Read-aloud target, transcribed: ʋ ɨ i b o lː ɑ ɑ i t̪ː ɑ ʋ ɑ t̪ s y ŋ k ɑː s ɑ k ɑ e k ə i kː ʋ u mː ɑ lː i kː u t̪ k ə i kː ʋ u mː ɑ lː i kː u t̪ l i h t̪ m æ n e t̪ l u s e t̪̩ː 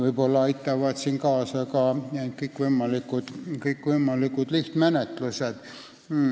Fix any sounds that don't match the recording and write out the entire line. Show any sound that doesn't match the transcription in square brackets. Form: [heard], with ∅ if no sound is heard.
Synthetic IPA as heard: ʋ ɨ i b o lː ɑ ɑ i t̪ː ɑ ʋ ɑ t̪ s [i] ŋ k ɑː s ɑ k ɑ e k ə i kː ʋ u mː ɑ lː i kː u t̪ k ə i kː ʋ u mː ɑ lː i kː u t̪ l i h t̪ m æ n e t̪ l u s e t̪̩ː

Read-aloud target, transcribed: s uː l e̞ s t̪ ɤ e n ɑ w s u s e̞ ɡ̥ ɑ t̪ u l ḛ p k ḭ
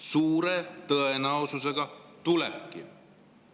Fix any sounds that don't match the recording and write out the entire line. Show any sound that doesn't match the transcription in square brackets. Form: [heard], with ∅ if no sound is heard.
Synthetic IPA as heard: s uː [ɾ] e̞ [∅] t̪ ɤ e n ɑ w s u s e̞ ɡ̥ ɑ t̪ u l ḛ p k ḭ

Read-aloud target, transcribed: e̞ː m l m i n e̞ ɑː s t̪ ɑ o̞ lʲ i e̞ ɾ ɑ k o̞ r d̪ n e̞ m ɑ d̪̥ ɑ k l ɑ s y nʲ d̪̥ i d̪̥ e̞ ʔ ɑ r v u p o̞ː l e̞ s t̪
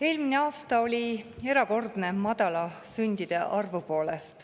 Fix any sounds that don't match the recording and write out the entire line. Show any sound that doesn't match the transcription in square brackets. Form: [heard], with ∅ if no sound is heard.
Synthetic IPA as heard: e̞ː [∅] l m i n e̞ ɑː s t̪ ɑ o̞ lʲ i e̞ ɾ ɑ k o̞ r d̪ n e̞ m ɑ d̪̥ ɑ [∅] l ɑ s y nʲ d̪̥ i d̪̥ e̞ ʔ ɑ r v u p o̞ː l e̞ s t̪

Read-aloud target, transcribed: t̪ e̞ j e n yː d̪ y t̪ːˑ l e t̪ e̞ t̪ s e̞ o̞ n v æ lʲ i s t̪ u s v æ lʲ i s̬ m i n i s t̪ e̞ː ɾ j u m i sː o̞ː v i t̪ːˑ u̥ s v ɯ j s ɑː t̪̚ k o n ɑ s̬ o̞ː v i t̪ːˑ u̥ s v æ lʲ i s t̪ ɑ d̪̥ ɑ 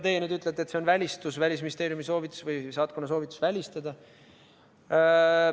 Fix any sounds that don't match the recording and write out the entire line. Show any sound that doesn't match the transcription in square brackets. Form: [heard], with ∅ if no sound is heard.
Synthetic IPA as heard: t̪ e̞ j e n yː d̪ y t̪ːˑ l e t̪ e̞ t̪ s e̞ o̞ n v æ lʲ i s t̪ u s v æ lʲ i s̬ m i n i s t̪ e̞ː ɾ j u m i [s] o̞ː v i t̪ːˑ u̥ s v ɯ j s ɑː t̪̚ k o n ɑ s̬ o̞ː v i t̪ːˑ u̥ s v æ lʲ i s t̪ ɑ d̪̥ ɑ

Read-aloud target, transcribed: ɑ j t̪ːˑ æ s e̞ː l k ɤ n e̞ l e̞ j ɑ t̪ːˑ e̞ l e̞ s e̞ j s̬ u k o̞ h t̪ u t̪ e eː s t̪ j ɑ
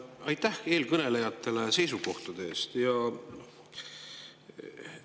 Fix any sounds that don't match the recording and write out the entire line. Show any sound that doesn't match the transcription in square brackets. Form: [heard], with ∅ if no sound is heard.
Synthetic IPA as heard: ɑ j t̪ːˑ æ [h] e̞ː l k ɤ n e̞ l e̞ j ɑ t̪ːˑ e̞ l e̞ s e̞ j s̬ u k o̞ h t̪ u [d̪] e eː s t̪ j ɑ

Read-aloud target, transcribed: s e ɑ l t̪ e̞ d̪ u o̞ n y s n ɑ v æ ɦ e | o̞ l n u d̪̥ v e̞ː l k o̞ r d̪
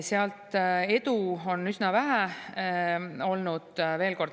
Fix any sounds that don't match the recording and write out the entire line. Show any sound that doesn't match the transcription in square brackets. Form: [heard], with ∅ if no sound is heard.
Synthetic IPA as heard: s e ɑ l t̪ e̞ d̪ u o̞ n y s n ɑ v æ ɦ [æ] | o̞ l n u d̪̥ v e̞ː l k o̞ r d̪

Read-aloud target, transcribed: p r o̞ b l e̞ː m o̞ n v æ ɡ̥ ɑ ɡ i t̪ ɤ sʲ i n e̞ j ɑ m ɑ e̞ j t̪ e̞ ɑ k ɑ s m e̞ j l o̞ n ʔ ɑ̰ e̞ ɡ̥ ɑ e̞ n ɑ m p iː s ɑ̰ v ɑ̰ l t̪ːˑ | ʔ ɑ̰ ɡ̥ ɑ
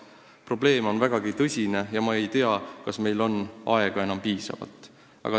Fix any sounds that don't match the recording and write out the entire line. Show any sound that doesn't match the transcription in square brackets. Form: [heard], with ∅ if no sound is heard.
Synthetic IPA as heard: p r o̞ b l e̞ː m o̞ n v æ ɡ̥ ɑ ɡ i t̪ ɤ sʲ i n e̞ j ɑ m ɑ e̞ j t̪ e̞ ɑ k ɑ s m e̞ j l o̞ n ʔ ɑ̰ e̞ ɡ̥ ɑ e̞ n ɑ m p iː s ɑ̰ v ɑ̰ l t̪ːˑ | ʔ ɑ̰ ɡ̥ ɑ

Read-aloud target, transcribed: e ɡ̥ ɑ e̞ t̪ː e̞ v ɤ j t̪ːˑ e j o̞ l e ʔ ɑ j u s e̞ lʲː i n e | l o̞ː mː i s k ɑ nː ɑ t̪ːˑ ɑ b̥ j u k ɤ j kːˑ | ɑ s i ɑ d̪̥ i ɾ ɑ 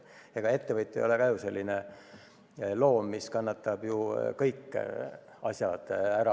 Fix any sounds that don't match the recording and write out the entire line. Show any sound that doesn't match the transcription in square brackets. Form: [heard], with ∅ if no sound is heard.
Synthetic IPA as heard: e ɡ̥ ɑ e̞ t̪ː e̞ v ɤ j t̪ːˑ e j o̞ l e [k] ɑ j u s e̞ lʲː i n e | l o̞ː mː i s k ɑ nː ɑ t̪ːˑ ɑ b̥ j u k ɤ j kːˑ | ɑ s [j] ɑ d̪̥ [æ] ɾ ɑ

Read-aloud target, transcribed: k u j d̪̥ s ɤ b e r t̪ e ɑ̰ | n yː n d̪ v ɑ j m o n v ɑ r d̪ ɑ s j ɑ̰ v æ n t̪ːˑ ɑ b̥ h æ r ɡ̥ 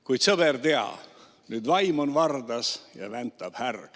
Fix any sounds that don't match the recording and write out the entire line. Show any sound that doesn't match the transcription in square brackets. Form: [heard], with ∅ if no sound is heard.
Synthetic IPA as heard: k u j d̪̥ s ɤ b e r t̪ e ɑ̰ | n yː [∅] d̪ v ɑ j m o n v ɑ r d̪ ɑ s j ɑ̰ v æ n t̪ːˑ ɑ b̥ h æ r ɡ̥

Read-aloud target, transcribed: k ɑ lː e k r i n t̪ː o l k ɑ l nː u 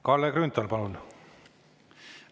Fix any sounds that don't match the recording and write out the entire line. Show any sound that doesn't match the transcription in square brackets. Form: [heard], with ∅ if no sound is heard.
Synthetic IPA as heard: k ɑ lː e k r [y] n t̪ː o l [p] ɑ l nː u

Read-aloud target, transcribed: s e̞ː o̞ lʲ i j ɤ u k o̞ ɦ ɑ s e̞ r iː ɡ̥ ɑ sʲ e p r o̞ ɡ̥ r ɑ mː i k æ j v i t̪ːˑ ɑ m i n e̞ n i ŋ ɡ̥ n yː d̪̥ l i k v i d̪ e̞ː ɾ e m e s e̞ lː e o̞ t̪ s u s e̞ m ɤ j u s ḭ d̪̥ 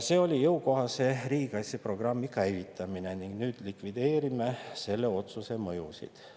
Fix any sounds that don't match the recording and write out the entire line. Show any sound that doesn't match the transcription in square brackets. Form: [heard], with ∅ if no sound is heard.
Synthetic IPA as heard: s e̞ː o̞ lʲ i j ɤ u k o̞ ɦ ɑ s e̞ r iː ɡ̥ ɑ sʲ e p r o̞ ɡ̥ r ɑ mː i k æ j v i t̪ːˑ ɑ m i n e̞ n i ŋ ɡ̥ n yː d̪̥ l i k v i d̪ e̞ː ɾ [i] m e s e̞ lː e o̞ t̪ s u s e̞ m ɤ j u s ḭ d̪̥

